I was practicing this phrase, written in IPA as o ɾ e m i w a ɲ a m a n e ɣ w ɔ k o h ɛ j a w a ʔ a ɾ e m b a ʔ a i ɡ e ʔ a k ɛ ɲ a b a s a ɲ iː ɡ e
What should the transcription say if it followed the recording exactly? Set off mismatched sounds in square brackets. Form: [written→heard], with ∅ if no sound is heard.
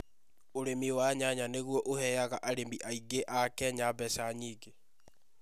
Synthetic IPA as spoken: o ɾ e m i w a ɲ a [m→ɲ] a n e ɣ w ɔ [k→ʔ] o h ɛ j a [w→ɣ] a ʔ a ɾ e m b [a→i] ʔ a i ɡ e ʔ a k ɛ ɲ a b [a→ɛ] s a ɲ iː ɡ e